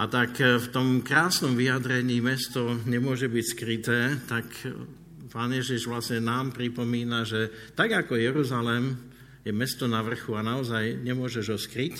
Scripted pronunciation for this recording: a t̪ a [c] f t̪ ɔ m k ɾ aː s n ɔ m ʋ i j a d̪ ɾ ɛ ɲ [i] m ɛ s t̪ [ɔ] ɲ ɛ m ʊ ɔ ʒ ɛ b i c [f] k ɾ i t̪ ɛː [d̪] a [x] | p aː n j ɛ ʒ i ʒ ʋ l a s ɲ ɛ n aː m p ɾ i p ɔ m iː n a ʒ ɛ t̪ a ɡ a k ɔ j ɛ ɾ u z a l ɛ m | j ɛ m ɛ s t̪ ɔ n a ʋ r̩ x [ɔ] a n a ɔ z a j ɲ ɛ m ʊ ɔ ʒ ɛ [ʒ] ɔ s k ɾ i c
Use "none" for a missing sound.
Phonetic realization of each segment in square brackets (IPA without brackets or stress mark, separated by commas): k, iː, ɔ, s, t̪, k, u, ʒ